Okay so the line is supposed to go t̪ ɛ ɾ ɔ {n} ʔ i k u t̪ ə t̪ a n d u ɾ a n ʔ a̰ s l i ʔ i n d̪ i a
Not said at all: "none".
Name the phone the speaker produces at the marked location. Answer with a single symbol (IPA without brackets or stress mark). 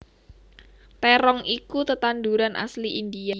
ŋ